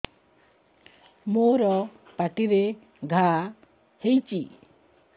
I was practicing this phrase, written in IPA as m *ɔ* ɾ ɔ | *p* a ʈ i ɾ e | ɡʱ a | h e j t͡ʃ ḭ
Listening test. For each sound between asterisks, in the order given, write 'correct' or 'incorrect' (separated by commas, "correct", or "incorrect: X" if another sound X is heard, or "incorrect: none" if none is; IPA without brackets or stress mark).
incorrect: o, correct